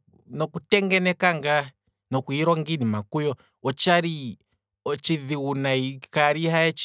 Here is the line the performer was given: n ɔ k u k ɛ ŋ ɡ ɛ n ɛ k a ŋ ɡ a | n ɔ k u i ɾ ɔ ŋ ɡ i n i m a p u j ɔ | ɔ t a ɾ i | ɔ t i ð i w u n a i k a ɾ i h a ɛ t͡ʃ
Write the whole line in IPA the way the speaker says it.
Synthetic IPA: n ɔ k u t ɛ ŋ ɡ ɛ n ɛ k a ŋ ɡ a | n ɔ k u i ɾ ɔ ŋ ɡ i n i m a k u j ɔ | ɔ t͡ʃ a ɾ i | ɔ t͡ʃ i ð i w u n a i k a ɾ i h a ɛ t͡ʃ